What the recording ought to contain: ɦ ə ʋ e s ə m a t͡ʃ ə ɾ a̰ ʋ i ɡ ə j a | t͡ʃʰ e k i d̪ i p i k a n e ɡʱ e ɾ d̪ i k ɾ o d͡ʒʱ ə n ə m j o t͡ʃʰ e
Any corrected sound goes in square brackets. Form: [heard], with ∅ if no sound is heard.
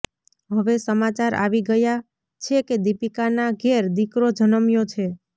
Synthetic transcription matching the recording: ɦ ə ʋ e s ə m a t͡ʃ [a] ɾ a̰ ʋ i ɡ ə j a | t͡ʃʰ e k [e] d̪ i p i k a n [a] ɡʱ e ɾ d̪ i k ɾ o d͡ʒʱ ə n ə m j o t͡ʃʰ e